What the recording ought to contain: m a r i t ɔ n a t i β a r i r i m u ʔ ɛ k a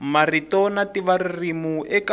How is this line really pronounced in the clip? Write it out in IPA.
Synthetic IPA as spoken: m a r i t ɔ n a t i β a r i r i m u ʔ ɛ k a

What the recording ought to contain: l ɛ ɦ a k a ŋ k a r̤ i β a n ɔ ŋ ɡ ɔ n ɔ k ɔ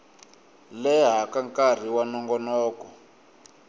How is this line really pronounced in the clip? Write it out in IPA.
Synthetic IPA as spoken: l ɛ ɦ a k a ŋ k a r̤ i w a n ɔ ŋ ɡ ɔ n ɔː k ɔ

